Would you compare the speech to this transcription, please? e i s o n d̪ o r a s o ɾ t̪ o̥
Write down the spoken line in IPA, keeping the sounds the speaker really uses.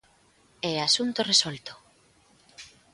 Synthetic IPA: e a s u n t̪ o r e s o l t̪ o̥